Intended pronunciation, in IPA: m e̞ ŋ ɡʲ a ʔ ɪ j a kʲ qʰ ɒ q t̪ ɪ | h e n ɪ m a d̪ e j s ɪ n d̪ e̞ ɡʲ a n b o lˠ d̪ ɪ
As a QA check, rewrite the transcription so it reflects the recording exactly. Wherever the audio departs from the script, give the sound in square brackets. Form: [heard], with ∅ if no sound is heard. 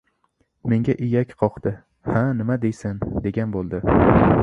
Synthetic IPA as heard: m e̞ ŋ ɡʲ a ʔ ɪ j a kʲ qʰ ɒ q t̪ ɪ | h [a] n ɪ m a d̪ e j s ɪ n d̪ e̞ ɡʲ a n b o lˠ d̪ ɪ